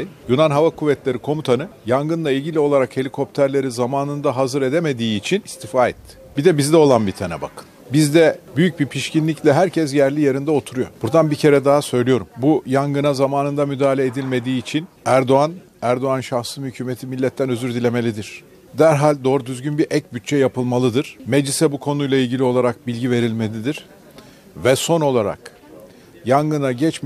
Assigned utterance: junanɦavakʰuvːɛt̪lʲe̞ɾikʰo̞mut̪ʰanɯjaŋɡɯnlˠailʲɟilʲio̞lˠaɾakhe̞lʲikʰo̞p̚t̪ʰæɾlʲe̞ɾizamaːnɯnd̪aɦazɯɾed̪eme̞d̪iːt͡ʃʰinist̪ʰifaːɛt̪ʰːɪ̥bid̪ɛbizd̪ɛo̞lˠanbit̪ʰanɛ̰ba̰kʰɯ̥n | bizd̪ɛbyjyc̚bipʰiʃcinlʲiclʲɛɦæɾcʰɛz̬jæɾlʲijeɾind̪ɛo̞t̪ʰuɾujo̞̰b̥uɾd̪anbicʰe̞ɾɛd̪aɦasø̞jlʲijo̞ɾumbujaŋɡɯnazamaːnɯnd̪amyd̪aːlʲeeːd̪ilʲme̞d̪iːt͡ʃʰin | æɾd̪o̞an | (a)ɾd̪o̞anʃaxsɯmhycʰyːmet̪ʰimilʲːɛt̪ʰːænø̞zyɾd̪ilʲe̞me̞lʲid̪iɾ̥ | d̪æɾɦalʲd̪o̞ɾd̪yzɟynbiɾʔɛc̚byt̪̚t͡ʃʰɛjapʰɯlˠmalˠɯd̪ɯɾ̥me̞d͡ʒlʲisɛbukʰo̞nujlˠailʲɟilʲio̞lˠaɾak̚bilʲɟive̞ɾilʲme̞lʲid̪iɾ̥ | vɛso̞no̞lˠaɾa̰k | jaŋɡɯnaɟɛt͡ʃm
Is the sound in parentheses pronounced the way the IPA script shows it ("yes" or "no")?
no